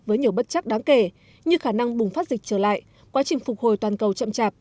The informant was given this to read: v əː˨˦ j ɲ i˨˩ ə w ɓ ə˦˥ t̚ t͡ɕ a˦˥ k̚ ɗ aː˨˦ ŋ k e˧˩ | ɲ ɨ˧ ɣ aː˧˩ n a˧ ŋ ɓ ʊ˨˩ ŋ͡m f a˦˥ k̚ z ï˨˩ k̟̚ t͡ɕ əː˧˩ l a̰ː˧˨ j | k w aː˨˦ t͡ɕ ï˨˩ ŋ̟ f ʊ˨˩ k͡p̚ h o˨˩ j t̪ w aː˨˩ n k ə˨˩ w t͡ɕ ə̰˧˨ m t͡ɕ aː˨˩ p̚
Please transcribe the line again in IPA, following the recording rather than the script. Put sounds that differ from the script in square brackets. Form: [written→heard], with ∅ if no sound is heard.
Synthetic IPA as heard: v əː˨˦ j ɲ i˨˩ ə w ɓ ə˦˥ t̚ t͡ɕ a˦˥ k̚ ɗ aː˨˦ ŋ k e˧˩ | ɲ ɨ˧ [ɣ→x] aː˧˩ n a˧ ŋ ɓ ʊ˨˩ ŋ͡m f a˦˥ [k̚→t̚] z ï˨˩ k̟̚ t͡ɕ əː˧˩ l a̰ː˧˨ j | k w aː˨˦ t͡ɕ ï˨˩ ŋ̟ f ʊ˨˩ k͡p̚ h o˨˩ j t̪ w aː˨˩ n k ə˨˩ w t͡ɕ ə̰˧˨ m t͡ɕ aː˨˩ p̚